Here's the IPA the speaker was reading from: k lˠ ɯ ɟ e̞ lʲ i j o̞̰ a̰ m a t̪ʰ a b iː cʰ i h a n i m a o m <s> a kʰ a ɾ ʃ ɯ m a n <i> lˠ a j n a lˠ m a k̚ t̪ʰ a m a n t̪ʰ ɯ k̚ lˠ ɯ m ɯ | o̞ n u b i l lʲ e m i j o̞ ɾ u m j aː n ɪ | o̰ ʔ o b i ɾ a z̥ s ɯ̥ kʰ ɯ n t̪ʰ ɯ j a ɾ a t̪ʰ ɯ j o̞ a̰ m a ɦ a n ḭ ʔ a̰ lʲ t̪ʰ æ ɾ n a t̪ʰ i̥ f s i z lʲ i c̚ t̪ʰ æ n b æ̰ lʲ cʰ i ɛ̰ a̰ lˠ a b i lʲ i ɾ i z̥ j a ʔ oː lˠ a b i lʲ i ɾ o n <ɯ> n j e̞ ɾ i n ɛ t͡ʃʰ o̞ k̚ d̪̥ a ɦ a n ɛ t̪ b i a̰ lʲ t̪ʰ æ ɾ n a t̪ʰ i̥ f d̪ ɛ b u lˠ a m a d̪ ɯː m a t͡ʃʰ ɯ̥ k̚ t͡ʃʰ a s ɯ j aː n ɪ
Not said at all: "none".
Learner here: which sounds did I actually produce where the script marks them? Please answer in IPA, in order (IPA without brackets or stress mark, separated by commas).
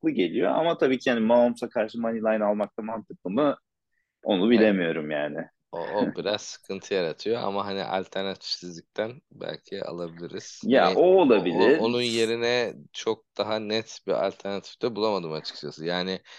s, i, u